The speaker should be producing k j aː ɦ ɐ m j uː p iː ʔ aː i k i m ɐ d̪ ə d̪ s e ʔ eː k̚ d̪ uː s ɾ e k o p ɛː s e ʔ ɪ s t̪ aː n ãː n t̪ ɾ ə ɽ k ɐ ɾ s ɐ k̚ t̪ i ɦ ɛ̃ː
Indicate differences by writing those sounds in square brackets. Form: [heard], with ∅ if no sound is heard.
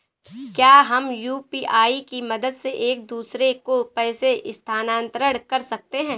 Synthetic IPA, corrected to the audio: k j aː ɦ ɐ m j uː p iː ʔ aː i k i m ɐ d̪ ə d̪ s e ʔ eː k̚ d̪ uː s ɾ e k o p ɛː s e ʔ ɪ s [t̪ʰ] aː n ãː n t̪ ɾ ə ɽ k ɐ ɾ s ɐ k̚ t̪ [e] ɦ ɛ̃ː